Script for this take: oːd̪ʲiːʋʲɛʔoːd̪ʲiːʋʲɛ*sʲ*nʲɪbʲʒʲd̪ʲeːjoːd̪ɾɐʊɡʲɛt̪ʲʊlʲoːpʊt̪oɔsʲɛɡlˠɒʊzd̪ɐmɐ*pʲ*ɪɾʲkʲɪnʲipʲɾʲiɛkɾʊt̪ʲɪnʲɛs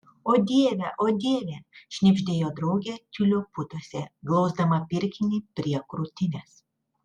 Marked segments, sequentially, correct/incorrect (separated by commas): incorrect, correct